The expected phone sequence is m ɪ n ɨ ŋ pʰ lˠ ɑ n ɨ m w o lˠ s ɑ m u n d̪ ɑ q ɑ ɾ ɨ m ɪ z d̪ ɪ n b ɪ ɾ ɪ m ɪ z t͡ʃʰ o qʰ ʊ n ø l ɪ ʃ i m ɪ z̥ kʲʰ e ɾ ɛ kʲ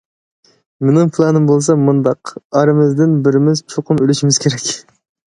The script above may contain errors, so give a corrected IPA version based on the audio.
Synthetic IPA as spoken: m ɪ n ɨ ŋ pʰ lˠ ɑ n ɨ m b o lˠ s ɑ m u n d̪ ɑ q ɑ ɾ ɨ m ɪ z d̪ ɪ n b ɪ ɾ ɪ m ɪ z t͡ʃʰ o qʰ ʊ n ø l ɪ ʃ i m ɪ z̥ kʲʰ e ɾ ɛ kʲ